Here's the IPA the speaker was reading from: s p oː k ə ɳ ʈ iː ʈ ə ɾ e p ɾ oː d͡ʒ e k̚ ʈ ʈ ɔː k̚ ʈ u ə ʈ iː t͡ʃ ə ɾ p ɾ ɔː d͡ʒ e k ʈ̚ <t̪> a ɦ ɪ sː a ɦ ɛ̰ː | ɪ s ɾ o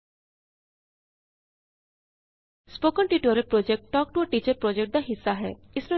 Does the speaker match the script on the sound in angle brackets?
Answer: no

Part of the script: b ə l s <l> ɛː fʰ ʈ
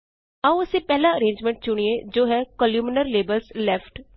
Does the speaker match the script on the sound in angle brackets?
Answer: yes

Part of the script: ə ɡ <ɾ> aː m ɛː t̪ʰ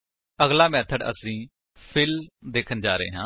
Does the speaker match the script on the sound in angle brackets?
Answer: no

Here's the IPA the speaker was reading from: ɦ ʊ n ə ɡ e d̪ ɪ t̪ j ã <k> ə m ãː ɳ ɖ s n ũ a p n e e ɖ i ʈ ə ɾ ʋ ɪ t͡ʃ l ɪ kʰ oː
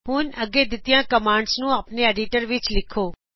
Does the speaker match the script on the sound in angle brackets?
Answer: yes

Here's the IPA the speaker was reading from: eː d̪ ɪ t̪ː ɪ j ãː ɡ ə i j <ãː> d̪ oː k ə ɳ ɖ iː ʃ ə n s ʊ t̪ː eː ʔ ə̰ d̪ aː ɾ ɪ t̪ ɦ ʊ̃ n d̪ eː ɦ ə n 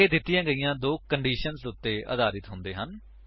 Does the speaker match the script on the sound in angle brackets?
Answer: yes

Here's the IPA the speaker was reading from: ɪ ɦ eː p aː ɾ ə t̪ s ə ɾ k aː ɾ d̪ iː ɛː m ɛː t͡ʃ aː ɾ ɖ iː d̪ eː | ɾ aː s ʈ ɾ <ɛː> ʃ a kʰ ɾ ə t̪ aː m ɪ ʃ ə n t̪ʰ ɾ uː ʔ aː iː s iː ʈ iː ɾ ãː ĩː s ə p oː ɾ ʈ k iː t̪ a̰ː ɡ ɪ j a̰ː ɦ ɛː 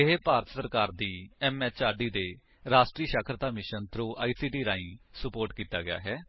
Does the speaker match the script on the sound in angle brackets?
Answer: no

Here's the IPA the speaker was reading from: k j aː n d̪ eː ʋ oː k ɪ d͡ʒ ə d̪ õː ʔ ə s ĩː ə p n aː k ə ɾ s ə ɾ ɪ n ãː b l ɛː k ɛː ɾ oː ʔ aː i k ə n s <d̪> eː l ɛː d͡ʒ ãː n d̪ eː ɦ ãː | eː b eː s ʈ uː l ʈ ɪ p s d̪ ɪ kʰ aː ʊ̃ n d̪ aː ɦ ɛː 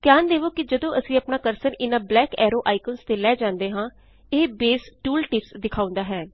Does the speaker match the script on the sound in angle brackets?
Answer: no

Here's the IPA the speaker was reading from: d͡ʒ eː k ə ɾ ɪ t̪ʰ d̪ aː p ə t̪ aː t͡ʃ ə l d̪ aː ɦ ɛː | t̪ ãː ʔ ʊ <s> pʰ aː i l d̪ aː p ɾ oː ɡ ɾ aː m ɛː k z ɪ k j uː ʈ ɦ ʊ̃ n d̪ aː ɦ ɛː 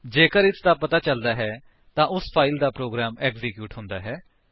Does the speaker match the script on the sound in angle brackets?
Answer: yes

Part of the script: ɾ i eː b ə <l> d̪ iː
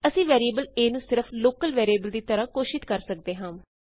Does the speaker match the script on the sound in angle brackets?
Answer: yes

